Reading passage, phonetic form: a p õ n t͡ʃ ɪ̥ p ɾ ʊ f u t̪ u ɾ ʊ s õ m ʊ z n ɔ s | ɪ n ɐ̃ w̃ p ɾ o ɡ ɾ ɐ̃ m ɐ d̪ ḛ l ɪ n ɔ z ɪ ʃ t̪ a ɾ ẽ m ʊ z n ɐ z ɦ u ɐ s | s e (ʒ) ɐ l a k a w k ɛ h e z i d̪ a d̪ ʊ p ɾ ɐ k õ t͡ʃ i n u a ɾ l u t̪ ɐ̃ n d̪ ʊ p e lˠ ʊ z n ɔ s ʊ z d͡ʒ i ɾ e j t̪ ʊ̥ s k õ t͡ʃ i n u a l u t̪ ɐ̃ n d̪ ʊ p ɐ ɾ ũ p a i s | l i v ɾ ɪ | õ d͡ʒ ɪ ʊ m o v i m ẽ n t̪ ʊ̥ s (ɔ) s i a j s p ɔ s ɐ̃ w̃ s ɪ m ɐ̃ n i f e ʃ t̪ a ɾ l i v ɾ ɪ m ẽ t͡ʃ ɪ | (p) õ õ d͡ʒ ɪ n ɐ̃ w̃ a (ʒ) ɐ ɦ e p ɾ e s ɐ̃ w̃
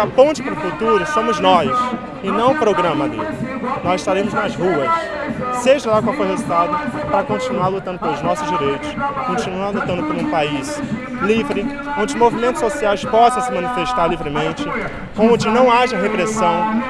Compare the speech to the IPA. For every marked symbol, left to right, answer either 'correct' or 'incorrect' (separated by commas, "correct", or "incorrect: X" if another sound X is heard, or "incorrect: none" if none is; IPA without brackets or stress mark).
correct, incorrect: o, incorrect: k, correct